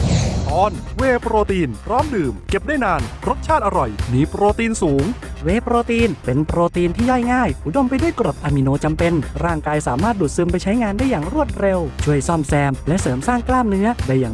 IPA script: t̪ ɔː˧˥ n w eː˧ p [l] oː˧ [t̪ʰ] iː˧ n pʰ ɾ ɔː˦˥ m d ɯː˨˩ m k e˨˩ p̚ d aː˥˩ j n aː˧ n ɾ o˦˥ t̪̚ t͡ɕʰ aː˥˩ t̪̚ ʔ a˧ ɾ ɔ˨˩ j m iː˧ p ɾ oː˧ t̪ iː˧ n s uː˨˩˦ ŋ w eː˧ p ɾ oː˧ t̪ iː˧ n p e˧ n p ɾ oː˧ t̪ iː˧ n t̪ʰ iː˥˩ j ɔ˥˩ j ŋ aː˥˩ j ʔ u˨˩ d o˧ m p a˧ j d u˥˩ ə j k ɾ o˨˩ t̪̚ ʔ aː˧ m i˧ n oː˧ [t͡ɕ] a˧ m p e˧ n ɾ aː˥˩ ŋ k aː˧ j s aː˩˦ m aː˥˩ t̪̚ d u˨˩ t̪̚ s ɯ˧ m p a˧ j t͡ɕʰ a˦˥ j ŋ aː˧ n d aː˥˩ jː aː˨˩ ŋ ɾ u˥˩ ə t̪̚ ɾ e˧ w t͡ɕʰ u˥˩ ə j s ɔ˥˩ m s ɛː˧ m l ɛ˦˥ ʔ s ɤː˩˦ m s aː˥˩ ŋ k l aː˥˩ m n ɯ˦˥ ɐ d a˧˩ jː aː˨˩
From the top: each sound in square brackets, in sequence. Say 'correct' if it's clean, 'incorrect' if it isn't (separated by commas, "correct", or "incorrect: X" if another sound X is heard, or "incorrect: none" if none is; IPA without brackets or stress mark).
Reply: incorrect: ɾ, incorrect: t̪, correct